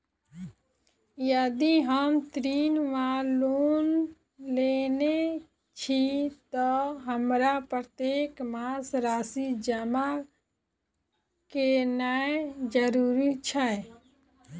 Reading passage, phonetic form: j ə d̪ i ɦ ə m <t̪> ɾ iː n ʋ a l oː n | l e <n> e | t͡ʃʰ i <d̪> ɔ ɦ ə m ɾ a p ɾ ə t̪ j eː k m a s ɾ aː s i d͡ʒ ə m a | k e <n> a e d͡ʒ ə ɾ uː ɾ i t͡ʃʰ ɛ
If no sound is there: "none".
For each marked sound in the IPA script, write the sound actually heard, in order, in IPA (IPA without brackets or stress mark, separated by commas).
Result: t̪, n, t̪, n